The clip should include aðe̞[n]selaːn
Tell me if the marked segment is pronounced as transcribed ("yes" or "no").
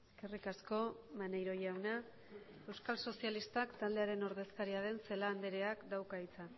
yes